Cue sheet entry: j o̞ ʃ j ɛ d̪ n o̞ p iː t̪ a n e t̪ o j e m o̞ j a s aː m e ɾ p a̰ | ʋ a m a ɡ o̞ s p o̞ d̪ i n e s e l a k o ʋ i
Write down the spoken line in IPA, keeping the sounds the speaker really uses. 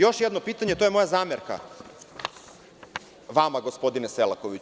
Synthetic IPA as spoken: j o̞ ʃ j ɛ d̪ n o̞ p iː t̪ a ɲ e t̪ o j e m o̞ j a z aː m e ɾ k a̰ | ʋ a m a ɡ o̞ s p o̞ d̪ i n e s e l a k o ʋ i